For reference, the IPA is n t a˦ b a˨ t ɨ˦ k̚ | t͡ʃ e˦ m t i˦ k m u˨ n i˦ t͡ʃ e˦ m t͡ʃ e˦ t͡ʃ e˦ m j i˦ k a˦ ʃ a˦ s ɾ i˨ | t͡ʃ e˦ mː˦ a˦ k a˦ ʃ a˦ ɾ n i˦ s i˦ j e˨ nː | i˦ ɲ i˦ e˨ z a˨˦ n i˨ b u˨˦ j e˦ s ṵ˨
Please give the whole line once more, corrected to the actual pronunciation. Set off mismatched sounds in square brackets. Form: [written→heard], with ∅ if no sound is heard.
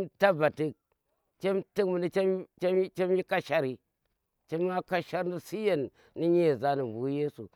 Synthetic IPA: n t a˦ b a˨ t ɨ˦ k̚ | t͡ʃ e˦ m t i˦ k m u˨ n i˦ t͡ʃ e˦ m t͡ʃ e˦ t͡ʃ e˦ m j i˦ k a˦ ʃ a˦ [s→∅] ɾ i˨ | t͡ʃ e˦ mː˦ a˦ k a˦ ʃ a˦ ɾ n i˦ s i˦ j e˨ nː | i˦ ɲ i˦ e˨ z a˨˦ n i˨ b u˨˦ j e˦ s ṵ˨

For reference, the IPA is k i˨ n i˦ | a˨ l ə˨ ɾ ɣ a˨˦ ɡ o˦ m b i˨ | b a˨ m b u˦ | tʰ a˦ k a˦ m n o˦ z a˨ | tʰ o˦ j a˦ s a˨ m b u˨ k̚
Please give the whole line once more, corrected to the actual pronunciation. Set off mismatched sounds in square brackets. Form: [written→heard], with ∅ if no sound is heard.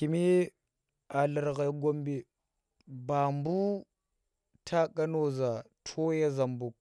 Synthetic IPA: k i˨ [n→m] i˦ | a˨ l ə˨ ɾ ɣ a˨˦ ɡ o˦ m b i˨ | b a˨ m b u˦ | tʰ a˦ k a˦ [m→∅] n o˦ z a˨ | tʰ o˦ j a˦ [s→z] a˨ m b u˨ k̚

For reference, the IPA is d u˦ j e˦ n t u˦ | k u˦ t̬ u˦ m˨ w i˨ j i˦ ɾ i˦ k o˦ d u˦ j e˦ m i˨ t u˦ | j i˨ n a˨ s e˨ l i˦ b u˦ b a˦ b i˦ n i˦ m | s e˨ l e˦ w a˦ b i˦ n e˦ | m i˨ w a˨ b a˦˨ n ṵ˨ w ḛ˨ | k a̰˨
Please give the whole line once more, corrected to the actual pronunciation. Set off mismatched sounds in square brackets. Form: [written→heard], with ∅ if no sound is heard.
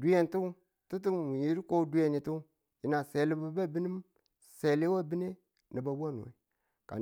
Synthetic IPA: d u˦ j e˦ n t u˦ | [k→t] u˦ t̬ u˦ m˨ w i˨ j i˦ ɾ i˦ k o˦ d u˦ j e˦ [m→n] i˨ t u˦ | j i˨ n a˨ s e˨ l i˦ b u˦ b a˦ b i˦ n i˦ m | s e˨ l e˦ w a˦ b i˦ n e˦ | [m→n] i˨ [w→b] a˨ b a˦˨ n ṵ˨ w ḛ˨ | k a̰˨

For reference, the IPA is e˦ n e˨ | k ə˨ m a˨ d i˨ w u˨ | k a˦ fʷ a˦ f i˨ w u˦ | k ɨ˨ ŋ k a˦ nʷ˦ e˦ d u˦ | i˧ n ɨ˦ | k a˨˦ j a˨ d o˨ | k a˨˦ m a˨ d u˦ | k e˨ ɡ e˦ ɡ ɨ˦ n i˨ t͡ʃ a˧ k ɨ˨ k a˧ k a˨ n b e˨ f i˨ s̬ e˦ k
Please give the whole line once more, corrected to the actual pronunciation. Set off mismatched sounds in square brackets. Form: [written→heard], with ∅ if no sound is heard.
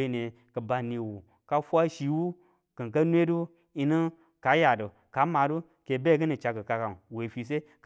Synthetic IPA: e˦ n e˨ | k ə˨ [m→b] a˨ [d→n] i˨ w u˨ | k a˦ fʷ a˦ [f→ʃ] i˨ w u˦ | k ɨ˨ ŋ k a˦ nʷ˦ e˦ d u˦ | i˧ n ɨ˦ | k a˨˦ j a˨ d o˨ | k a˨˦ m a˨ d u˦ | k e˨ [ɡ→b] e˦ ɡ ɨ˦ n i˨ t͡ʃ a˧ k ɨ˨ k a˧ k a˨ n [b→w] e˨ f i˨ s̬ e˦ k

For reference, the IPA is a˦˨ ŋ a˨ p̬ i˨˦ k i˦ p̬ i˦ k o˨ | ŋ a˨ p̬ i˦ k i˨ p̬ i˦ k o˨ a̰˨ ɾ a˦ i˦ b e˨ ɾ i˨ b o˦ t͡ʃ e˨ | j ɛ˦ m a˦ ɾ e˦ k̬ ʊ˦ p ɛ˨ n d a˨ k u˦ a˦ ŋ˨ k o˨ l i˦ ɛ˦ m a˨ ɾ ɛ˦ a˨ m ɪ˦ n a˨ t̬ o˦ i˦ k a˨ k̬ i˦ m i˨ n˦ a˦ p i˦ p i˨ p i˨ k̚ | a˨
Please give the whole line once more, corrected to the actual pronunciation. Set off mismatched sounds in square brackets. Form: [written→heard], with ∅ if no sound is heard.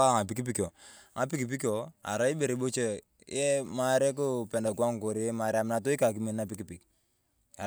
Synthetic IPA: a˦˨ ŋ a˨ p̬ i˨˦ k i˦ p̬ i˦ k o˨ | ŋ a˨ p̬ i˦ k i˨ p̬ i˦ k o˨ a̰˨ ɾ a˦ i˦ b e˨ ɾ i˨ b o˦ t͡ʃ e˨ | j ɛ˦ m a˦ ɾ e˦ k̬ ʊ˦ p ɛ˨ n d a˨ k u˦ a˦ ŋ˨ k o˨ [l→ɾ] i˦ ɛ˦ m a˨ ɾ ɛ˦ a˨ m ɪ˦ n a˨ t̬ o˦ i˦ k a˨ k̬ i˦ m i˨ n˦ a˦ p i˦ [p→k] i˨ p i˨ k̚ | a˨

